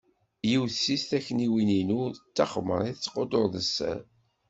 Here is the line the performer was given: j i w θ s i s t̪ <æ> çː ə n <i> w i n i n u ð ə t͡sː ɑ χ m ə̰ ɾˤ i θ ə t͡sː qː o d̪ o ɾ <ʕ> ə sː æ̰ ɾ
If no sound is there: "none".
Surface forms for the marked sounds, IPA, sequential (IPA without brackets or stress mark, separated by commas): æ, i, ð